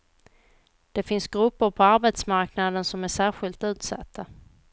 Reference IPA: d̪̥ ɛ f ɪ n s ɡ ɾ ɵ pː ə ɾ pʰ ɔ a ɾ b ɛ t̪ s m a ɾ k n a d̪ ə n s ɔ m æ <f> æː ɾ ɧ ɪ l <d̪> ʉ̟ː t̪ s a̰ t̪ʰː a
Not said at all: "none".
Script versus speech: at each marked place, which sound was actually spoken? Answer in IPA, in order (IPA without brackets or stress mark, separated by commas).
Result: ʂ, t̪